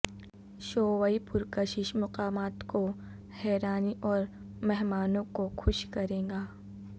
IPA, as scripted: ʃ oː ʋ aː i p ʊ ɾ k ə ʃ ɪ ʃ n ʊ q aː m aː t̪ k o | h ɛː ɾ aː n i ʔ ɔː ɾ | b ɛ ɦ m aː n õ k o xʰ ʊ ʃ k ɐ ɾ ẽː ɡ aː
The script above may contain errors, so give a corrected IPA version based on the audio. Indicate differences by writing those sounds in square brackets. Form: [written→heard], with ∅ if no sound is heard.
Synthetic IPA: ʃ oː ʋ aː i p ʊ ɾ k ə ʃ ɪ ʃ [n→m] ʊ q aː m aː t̪ k o | h ɛː ɾ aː n i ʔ ɔː ɾ | [b→m] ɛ ɦ m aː n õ k o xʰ ʊ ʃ k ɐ ɾ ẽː ɡ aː